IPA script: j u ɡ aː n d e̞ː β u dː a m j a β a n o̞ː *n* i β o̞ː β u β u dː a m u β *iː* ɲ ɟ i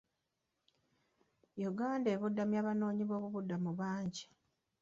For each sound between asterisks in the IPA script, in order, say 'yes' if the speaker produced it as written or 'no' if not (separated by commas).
no, no